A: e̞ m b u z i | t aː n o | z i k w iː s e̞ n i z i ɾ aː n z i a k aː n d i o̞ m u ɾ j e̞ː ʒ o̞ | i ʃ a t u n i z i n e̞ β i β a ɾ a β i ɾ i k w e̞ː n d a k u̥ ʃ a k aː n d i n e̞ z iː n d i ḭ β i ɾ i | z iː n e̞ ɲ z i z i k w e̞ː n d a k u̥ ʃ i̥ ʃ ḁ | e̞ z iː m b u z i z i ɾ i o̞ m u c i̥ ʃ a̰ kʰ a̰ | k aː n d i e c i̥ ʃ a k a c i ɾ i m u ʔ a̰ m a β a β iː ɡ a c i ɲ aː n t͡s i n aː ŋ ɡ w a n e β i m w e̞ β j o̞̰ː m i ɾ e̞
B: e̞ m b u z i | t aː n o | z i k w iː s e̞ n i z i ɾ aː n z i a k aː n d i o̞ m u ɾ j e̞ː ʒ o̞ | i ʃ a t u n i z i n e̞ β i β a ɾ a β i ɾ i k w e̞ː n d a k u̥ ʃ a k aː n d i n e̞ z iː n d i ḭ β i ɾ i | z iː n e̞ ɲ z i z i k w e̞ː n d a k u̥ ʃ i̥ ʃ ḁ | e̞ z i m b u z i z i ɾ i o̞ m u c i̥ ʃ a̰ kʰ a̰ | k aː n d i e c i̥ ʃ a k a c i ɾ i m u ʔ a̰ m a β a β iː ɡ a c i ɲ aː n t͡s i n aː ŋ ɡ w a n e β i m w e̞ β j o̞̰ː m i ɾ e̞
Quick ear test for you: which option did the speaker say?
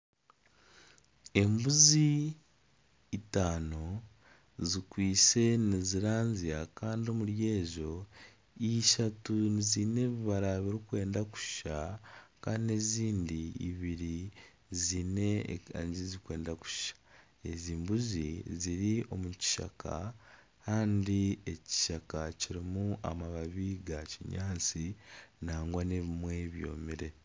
A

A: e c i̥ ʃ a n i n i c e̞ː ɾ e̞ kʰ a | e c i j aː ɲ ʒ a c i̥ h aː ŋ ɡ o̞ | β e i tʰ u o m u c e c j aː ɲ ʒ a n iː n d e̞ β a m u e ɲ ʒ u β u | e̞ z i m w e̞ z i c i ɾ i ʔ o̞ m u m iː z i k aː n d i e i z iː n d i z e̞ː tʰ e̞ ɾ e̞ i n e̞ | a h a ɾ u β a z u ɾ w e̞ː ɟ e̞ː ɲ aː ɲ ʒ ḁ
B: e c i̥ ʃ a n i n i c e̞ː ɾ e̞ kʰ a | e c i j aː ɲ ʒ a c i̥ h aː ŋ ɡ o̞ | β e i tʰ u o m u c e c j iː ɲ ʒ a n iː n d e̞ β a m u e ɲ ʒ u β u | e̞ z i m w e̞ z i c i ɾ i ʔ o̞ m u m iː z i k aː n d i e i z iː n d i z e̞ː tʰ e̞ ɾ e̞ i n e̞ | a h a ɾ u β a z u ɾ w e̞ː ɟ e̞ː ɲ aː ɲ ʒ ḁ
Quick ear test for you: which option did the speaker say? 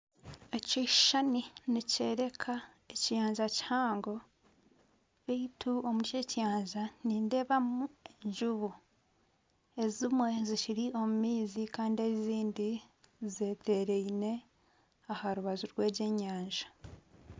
A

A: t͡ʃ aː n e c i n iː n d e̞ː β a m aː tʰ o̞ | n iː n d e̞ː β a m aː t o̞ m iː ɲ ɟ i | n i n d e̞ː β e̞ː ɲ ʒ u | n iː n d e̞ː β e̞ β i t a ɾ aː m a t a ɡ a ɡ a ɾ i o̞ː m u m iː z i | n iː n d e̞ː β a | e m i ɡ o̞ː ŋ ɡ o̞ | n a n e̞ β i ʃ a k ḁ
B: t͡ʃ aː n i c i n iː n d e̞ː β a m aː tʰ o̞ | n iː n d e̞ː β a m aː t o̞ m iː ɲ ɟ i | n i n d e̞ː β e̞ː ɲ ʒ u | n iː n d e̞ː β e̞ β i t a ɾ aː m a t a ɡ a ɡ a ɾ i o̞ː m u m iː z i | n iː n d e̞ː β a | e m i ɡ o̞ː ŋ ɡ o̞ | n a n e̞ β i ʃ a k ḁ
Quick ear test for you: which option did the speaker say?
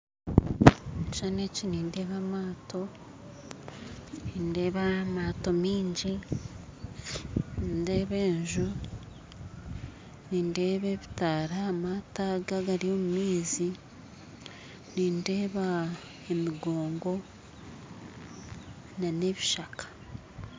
A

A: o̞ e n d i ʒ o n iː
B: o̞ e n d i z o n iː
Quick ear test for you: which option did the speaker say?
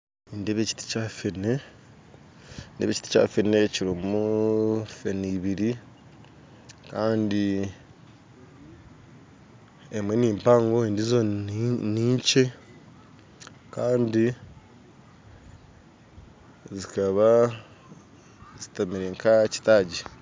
B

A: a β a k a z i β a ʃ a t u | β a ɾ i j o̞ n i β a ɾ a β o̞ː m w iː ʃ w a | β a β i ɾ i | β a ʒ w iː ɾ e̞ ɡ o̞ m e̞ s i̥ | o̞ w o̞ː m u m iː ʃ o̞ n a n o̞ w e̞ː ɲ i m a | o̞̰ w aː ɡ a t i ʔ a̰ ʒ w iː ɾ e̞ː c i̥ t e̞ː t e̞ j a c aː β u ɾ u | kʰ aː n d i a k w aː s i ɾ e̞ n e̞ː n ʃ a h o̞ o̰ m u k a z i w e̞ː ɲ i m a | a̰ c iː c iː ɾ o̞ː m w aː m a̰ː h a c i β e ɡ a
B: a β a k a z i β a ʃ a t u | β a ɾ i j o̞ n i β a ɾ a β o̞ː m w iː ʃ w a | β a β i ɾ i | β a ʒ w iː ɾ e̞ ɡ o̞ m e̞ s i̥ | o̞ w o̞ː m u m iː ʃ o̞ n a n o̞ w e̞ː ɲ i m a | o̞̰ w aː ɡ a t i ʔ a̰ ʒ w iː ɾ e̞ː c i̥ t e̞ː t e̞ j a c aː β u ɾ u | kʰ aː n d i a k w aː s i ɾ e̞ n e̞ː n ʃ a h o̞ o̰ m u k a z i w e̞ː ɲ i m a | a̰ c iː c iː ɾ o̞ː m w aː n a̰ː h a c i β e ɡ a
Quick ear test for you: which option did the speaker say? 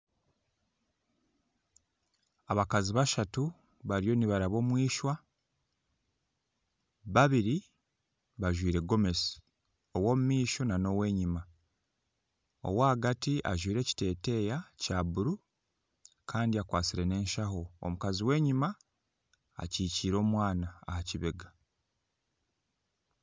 B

